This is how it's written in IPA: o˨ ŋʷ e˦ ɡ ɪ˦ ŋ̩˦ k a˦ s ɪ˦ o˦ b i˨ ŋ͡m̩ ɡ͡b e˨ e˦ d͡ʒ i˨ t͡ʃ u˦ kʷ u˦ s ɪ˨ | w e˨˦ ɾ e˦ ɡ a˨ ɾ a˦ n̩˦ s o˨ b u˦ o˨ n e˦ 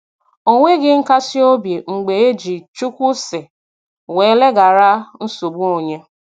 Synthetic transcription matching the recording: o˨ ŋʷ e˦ ɡ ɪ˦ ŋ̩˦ k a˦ s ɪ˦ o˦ b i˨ ŋ͡m̩ ɡ͡b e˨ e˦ d͡ʒ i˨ t͡ʃ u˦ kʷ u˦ s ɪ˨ | w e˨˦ l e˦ ɡ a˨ ɾ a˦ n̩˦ s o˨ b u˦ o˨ ɲ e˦